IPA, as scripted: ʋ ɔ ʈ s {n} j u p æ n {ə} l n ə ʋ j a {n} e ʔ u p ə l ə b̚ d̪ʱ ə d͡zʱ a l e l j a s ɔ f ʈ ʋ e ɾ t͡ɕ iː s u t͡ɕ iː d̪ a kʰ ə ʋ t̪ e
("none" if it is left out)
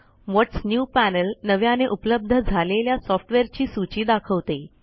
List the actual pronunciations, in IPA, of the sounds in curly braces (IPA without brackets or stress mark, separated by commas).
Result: n, ə, n